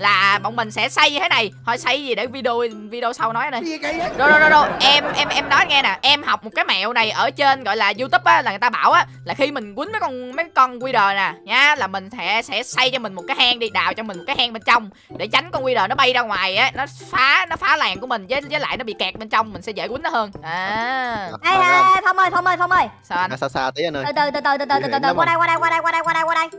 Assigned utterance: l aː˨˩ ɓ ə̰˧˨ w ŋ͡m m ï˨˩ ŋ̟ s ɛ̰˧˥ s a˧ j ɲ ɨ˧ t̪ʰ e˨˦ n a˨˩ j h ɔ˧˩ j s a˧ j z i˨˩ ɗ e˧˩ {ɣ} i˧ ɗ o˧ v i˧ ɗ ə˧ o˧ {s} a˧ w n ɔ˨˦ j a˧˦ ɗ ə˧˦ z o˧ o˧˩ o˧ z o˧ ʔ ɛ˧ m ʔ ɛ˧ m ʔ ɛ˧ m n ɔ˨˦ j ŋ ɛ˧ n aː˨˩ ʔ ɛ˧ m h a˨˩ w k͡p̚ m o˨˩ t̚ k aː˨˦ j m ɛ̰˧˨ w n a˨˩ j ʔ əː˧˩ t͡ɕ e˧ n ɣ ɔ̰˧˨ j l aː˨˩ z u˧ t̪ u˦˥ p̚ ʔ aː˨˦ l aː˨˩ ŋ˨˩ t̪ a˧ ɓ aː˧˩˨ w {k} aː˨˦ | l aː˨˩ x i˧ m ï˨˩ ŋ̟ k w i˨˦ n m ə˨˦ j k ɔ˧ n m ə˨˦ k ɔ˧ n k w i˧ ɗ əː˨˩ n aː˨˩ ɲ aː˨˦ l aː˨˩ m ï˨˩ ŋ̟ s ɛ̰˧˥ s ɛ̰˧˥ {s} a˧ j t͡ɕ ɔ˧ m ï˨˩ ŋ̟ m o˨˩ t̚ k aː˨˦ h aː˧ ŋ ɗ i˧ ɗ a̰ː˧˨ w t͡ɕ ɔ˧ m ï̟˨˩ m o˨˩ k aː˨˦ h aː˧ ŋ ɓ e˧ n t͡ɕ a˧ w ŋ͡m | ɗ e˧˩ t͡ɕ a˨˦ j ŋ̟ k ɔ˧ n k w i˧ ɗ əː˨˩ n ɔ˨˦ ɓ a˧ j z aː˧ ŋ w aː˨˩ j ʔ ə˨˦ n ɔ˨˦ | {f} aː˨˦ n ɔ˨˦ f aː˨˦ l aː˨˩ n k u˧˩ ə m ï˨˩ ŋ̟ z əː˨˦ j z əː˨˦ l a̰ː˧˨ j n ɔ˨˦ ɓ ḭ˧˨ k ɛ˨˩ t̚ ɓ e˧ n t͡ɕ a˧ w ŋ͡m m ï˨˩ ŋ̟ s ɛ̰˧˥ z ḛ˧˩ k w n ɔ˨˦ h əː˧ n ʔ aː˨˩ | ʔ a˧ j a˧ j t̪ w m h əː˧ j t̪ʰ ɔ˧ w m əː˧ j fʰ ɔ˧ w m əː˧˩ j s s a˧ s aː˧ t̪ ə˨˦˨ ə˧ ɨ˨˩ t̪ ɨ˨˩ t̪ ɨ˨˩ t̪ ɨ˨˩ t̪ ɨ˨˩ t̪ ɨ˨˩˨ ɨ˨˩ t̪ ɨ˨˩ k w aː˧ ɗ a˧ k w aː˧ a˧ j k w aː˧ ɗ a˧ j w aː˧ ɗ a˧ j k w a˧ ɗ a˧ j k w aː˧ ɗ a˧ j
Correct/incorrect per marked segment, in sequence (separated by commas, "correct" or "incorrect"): incorrect, correct, incorrect, correct, correct